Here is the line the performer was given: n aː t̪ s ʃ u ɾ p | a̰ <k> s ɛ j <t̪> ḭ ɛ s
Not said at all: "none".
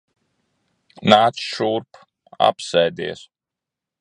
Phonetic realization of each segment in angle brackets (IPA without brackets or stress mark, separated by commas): p, d̪